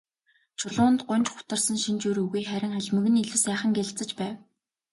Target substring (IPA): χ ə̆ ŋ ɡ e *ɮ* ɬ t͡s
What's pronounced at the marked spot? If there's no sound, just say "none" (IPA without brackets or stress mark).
ɮ